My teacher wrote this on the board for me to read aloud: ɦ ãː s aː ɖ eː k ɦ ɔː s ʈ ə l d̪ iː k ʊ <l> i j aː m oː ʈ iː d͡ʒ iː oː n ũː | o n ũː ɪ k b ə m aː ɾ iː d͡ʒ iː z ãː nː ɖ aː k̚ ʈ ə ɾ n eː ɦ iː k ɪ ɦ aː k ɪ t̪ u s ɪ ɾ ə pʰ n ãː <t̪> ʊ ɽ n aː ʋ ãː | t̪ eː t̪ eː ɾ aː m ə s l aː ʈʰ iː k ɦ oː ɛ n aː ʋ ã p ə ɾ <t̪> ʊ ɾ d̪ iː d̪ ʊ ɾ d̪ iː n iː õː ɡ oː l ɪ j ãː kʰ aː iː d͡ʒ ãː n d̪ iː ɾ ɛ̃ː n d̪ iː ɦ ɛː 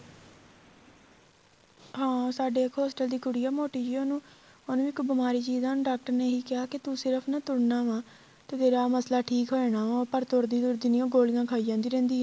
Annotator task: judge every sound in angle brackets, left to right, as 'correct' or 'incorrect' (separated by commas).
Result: incorrect, correct, correct